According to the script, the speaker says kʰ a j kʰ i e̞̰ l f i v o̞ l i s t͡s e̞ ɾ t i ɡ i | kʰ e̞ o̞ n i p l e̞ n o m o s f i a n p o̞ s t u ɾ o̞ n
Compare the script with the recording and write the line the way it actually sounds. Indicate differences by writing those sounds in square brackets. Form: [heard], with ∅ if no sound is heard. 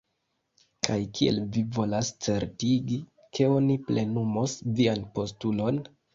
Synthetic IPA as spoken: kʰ a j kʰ i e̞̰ l [v] i v o̞ l [a] s t͡s e̞ ɾ t i ɡ i | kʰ e̞ o̞ n i p l e̞ n [u] m o s [v] i a n p o̞ s t u [l] o̞ n